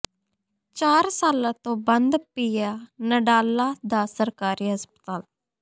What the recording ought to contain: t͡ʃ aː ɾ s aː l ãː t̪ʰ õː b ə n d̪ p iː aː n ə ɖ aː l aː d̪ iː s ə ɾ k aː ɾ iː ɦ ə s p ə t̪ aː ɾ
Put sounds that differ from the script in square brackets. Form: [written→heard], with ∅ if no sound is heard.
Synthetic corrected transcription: t͡ʃ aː ɾ s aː l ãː [t̪ʰ→t̪] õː b ə n d̪ p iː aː n ə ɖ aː l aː d̪ [iː→aː] s ə ɾ k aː ɾ iː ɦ ə s p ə t̪ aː [ɾ→l]